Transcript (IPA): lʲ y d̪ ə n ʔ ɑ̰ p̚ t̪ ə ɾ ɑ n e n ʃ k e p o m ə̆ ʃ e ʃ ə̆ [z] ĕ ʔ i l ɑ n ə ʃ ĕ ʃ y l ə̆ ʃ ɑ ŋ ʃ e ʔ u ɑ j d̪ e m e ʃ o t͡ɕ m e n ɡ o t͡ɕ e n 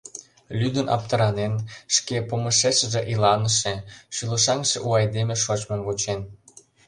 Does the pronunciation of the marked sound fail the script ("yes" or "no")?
yes